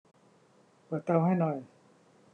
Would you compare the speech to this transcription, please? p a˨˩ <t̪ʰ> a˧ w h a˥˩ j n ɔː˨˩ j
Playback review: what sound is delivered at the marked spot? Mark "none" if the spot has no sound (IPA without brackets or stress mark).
t̪